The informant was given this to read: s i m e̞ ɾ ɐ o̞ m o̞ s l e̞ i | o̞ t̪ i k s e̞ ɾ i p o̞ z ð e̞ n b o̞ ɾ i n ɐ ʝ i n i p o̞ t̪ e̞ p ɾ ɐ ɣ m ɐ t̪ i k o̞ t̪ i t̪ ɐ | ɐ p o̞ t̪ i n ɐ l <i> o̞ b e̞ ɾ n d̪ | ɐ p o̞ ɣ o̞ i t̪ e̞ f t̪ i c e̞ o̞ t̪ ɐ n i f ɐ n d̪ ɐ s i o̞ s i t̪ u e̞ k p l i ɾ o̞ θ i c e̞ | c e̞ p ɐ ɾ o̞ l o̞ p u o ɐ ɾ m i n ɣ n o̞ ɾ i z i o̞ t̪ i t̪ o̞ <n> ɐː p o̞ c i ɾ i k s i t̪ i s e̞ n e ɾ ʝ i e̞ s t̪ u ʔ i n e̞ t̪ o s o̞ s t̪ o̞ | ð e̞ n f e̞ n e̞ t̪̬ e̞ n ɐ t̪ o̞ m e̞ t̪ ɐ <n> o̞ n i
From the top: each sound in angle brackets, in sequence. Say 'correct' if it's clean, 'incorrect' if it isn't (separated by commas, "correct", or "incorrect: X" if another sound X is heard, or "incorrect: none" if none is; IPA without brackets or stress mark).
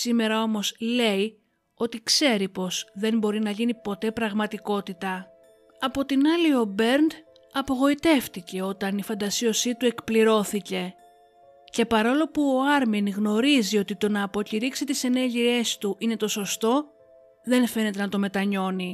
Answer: correct, correct, incorrect: ɲ